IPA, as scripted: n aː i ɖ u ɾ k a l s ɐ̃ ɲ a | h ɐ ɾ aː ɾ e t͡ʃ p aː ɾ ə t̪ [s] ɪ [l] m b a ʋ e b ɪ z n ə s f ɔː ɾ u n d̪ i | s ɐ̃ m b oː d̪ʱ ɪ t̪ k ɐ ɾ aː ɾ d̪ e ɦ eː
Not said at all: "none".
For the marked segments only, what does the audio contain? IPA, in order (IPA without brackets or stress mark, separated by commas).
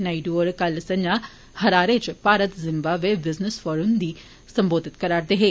z, none